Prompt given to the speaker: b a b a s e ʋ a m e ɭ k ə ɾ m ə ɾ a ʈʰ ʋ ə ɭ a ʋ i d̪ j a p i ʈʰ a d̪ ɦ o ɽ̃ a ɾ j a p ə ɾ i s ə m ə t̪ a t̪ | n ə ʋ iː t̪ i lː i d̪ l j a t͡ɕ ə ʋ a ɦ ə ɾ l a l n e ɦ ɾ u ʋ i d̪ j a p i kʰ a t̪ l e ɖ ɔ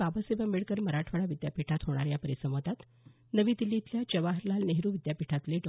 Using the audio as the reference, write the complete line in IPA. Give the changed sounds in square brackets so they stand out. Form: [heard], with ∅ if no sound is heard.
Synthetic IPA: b a b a s e ʋ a m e ɭ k ə ɾ m ə ɾ a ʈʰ ʋ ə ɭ a ʋ i d̪ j a p i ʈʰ a [t̪] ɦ o ɽ̃ a ɾ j a p ə ɾ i s ə m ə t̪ a t̪ | n ə ʋ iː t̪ i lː i [t̪] l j a t͡ɕ ə ʋ a ɦ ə ɾ l a l n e ɦ ɾ u ʋ i d̪ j a p i [ʈʰ] a t̪ l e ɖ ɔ